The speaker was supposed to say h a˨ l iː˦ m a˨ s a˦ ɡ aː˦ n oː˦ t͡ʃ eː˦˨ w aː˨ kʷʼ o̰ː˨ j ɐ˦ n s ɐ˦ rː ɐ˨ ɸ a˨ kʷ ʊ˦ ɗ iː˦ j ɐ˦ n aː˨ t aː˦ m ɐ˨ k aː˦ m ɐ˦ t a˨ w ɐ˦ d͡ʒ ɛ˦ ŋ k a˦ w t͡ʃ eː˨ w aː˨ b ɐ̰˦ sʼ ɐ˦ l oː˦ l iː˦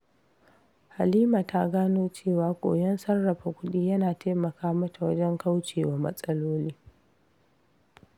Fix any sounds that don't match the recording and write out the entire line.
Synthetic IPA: h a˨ l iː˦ m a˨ t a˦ ɡ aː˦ n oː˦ t͡ʃ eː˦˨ w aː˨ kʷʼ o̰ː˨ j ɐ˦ n s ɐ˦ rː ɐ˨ ɸ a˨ kʷ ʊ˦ ɗ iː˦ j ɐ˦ n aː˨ t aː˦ m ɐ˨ k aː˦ m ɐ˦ t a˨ w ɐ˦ d͡ʒ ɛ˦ ŋ k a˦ w t͡ʃ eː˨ w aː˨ m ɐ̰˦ sʼ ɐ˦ l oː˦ l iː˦

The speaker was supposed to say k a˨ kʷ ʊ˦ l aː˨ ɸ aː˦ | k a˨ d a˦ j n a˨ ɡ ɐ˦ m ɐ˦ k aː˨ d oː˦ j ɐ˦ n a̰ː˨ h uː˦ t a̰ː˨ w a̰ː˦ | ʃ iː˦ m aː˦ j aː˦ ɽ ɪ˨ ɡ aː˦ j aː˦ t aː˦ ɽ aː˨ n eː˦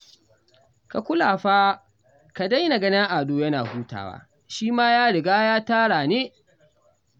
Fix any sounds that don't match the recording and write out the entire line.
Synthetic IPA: k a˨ kʷ ʊ˦ l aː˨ ɸ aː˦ | k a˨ d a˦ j n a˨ ɡ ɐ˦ n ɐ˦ ʔ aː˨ d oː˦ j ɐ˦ n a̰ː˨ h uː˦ t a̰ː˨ w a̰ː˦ | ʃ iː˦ m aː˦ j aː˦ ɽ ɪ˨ ɡ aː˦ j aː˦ t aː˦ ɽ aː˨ n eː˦

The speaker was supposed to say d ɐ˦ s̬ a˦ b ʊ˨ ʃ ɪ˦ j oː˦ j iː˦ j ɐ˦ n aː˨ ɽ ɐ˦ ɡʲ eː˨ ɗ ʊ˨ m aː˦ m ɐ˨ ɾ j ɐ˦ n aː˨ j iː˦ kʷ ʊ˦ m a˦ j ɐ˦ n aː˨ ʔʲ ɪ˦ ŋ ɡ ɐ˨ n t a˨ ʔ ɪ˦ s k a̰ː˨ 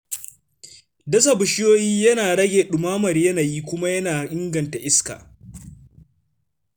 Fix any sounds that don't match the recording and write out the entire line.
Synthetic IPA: d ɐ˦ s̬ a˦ b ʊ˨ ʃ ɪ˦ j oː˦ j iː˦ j ɐ˦ n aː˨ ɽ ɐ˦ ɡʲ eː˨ ɗ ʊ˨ m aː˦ m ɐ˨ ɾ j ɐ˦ n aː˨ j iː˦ kʷ ʊ˦ m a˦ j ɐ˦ n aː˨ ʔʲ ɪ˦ ŋ ɡ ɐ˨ n t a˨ ʔ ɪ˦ s k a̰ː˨

